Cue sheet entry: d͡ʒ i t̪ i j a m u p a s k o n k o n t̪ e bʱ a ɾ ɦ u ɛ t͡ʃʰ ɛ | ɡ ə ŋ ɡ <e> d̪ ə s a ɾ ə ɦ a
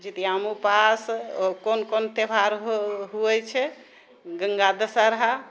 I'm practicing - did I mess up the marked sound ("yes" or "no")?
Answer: yes